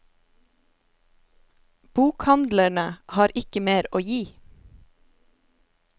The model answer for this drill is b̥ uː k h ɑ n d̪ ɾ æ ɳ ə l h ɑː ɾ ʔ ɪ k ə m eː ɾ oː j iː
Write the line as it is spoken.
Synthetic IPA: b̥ uː k h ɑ n d̪ l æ ɳ ə h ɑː ɾ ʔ ɪ k ə m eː ɾ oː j iː